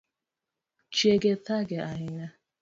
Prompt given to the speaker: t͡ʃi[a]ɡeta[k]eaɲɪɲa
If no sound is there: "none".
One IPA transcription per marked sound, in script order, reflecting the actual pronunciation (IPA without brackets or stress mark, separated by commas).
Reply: e, ɡ